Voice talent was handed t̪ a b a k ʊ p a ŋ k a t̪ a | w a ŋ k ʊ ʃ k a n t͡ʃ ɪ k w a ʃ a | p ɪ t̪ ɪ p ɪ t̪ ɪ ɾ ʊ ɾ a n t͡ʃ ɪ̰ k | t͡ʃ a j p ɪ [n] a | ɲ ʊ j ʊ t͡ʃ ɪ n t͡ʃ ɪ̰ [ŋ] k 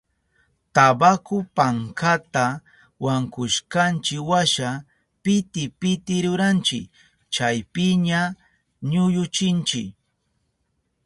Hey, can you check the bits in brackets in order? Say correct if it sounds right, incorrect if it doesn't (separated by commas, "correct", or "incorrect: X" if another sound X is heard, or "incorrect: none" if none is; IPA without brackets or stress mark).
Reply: incorrect: ɲ, incorrect: none